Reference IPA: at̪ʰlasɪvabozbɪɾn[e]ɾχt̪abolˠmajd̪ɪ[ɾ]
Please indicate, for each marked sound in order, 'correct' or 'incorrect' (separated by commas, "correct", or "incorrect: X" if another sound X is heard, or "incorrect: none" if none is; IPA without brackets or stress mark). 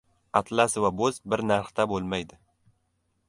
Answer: incorrect: a, incorrect: none